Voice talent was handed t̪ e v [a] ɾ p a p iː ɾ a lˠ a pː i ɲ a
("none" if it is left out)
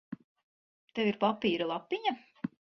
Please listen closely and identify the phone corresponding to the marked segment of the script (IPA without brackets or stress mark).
i